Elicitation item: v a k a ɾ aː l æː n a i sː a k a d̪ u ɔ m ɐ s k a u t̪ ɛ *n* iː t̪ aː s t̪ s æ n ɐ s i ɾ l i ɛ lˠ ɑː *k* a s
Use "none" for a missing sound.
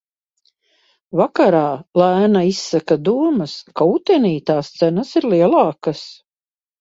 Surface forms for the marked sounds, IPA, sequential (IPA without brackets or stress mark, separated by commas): n, k